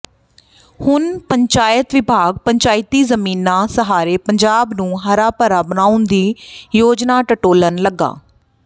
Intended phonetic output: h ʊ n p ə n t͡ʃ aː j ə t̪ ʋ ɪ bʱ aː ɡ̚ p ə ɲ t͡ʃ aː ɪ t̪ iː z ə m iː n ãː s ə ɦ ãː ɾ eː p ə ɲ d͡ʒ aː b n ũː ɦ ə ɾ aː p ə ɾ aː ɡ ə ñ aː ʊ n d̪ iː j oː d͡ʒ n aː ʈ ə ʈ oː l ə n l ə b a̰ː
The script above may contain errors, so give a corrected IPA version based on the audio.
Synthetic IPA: h ʊ n p ə ɲ t͡ʃ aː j ə t̪ ʋ ɪ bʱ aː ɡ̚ p ə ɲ t͡ʃ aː ɪ t̪ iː z ə m iː n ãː s ə ɦ aː ɾ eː p ə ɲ d͡ʒ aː b n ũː ɦ ə ɾ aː p ə ɾ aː b ə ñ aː ʊ n d̪ iː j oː d͡ʒ n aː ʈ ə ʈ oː l ə n l ə ɡ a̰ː